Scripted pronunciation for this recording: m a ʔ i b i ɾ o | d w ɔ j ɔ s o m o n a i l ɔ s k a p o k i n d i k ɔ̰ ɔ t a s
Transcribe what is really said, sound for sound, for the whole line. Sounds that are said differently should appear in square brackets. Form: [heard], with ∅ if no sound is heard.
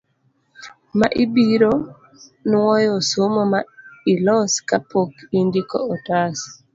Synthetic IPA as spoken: m a ʔ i b i ɾ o | [n] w ɔ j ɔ s o m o [m] a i l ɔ s k a p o k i n d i k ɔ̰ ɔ t a s